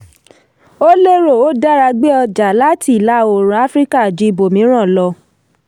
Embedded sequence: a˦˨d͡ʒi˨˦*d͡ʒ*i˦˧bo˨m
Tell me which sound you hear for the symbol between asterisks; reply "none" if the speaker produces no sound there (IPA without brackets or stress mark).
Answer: none